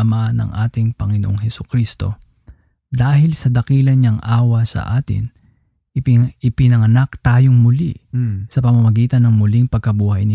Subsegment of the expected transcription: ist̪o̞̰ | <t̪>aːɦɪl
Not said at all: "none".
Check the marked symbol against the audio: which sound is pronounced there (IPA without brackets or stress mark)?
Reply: d̪